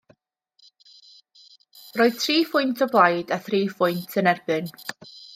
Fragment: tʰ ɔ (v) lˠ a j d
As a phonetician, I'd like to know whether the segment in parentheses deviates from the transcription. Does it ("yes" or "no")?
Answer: yes